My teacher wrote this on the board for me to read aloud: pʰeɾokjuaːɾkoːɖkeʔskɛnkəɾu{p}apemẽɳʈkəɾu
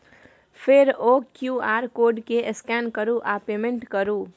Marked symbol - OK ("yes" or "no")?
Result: no